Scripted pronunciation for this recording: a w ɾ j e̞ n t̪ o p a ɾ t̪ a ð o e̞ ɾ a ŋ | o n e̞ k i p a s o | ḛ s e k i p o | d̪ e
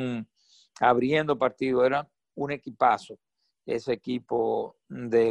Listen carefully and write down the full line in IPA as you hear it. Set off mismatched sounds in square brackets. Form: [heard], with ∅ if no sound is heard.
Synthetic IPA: a [β] ɾ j e̞ n [d̪] o p a ɾ t̪ [i] ð o e̞ ɾ a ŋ | [u] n e̞ k i p a s o | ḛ s e k i p o | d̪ e